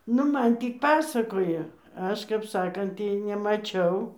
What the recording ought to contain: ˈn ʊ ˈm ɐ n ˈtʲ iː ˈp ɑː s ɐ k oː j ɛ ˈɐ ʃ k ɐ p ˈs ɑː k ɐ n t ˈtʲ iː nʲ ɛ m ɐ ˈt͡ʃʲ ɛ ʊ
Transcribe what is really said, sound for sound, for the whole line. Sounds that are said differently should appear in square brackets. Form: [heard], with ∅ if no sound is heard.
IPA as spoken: ˈn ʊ ˈm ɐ n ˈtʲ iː ˈp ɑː s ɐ k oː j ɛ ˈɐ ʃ k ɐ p ˈs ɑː k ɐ n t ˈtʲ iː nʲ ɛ m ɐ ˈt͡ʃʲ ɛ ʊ

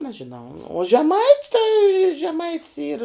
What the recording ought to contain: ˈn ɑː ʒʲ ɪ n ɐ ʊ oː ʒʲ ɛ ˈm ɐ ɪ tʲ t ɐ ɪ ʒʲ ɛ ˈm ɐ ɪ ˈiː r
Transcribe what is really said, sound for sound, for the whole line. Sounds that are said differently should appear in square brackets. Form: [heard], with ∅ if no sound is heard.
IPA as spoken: ˈn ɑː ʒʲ ɪ n ɐ ʊ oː ʒʲ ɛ ˈm ɐ ɪ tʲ t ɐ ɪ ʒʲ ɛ ˈm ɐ ɪ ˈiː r

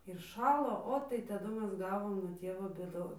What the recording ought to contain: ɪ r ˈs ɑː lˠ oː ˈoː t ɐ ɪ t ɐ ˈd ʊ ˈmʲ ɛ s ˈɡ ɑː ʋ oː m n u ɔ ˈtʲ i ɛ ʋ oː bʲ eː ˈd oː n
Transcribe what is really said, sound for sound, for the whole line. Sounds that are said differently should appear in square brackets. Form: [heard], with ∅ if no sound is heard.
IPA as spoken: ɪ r [ˈʃ] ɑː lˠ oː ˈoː t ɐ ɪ t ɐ ˈd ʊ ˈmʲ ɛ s ˈɡ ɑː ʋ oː m n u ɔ ˈtʲ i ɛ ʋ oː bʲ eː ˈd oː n

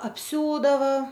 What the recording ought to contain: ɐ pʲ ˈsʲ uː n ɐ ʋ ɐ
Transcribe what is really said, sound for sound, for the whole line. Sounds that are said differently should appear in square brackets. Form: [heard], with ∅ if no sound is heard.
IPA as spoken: ɐ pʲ ˈsʲ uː [d] ɐ ʋ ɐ

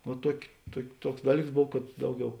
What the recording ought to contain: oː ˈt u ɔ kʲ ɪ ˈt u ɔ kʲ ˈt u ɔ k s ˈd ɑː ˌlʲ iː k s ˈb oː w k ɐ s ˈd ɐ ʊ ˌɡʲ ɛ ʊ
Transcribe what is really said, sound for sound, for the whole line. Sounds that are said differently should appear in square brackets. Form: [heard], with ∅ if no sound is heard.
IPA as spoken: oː ˈt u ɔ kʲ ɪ ˈt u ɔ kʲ ˈt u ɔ k s ˈd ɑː ˌlʲ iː k s ˈb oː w k ɐ [t] ˈd ɐ ʊ ˌɡʲ ɛ ʊ

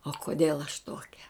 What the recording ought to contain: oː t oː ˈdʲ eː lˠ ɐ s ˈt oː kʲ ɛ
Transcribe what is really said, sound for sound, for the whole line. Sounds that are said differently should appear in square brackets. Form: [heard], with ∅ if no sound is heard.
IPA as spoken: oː [k] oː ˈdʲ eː lˠ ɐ [ʃ] ˈt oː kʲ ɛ

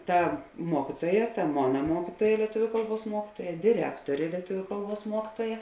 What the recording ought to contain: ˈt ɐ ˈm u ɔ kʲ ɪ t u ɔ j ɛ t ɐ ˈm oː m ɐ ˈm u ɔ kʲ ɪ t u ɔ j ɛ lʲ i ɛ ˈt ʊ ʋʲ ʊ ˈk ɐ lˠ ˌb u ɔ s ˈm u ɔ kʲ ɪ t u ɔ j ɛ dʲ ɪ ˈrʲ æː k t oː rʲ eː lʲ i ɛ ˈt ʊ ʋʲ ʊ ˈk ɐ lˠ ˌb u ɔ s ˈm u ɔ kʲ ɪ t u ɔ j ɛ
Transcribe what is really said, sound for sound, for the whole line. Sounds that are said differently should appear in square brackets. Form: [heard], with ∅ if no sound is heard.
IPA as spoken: ˈt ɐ ˈm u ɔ kʲ ɪ t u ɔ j ɛ t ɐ ˈm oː [n] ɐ ˈm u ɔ kʲ ɪ t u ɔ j ɛ lʲ i ɛ ˈt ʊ ʋʲ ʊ ˈk ɐ lˠ ˌb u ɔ s ˈm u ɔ kʲ ɪ t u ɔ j ɛ dʲ ɪ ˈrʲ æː k t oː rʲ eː lʲ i ɛ ˈt ʊ ʋʲ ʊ ˈk ɐ lˠ ˌb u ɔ s ˈm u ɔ kʲ ɪ t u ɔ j ɛ

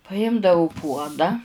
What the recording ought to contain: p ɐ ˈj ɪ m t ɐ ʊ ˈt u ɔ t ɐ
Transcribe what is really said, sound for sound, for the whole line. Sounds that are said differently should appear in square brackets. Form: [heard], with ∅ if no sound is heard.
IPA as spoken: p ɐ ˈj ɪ m [d] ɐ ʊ [ˈp] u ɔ [d] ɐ

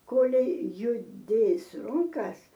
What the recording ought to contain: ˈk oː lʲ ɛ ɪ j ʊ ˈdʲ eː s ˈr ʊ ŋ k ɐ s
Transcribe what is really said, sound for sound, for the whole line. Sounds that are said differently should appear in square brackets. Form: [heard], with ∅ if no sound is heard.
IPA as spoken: ˈk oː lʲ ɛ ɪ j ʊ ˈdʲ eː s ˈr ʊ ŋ k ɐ s

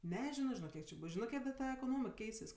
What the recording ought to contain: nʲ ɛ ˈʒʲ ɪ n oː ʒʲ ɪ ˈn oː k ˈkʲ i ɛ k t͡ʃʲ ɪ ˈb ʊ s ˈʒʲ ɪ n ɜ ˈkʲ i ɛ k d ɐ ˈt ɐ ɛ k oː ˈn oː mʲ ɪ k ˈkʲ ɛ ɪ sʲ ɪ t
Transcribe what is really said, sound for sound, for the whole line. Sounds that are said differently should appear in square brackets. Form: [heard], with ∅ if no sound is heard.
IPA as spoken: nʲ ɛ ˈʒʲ ɪ n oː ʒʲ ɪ ˈn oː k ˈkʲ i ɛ k t͡ʃʲ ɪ ˈb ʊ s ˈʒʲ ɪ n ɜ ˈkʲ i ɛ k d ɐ ˈt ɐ ɛ k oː ˈn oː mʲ ɪ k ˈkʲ ɛ ɪ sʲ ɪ [s]

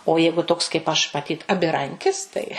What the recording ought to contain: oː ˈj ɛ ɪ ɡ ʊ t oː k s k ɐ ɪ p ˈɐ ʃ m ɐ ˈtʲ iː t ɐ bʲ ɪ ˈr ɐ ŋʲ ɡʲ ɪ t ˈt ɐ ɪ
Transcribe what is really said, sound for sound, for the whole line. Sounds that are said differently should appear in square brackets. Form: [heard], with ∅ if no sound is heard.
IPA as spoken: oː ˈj ɛ ɪ ɡ ʊ t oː k s k ɐ ɪ p ˈɐ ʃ m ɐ ˈtʲ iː t ɐ bʲ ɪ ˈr ɐ ŋʲ [kʲ] ɪ [s] ˈt ɐ ɪ

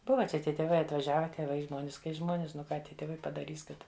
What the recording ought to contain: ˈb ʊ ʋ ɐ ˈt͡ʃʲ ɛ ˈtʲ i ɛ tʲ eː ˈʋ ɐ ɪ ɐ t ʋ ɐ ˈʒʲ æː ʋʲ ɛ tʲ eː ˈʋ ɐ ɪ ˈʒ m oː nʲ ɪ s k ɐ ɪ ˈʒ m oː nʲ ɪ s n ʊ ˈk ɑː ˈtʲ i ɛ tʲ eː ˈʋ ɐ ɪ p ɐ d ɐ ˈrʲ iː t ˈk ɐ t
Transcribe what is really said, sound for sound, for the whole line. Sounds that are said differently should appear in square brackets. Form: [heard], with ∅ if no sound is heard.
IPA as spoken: ˈb ʊ ʋ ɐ ˈt͡ʃʲ ɛ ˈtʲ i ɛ tʲ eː ˈʋ ɐ ɪ ɐ t ʋ ɐ ˈʒʲ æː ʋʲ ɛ tʲ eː ˈʋ ɐ ɪ ˈʒ m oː nʲ ɪ s k ɐ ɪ ˈʒ m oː nʲ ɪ s n ʊ ˈk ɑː ˈtʲ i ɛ tʲ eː ˈʋ ɐ ɪ p ɐ d ɐ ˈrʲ iː [s] ˈk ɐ t

